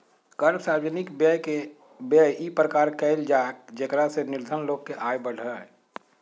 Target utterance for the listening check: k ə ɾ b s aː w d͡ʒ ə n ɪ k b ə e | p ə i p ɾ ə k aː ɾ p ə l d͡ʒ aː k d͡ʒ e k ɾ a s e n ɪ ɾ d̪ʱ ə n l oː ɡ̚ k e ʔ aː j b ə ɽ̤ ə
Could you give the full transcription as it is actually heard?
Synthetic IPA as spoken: k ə ɾ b s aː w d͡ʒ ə n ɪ k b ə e | b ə i p ɾ ə k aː ɾ k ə l d͡ʒ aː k d͡ʒ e k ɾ a s e n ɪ ɾ d̪ʱ ə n l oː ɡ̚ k e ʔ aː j b ə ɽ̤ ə